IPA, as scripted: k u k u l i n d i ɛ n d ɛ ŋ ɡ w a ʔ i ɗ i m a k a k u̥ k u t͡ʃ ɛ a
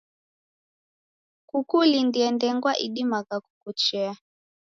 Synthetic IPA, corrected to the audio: k u k u l i n d i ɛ n d ɛ ŋ ɡ w a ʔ i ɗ i m a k a k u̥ k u t͡ʃ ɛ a